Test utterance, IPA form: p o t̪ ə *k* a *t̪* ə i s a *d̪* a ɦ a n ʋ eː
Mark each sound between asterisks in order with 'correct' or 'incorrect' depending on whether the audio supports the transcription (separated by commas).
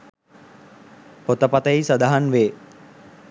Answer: incorrect, correct, correct